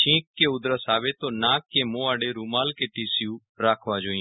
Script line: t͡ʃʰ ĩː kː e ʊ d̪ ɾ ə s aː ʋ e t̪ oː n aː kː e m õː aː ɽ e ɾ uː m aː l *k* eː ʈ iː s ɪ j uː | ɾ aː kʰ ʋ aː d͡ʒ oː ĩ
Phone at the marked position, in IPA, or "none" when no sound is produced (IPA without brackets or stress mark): k